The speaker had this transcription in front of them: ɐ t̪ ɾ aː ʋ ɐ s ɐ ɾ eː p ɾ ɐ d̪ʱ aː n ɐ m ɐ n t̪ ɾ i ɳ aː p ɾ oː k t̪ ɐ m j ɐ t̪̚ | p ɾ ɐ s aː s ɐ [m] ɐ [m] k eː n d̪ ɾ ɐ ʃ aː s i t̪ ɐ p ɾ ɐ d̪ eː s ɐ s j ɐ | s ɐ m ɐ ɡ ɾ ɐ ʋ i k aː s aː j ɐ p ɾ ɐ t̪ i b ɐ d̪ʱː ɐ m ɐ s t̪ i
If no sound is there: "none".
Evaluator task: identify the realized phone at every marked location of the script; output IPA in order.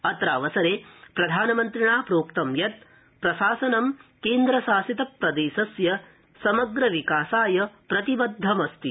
n, m

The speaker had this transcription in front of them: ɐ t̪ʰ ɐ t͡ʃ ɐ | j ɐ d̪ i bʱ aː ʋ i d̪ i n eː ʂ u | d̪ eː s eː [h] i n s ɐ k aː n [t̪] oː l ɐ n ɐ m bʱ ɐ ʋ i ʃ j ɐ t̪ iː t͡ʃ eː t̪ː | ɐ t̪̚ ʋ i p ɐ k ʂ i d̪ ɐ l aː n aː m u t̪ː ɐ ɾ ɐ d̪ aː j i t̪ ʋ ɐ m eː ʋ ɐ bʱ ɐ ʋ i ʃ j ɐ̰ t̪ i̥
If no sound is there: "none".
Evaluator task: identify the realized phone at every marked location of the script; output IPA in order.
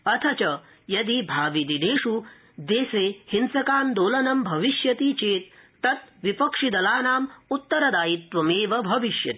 h, d̪

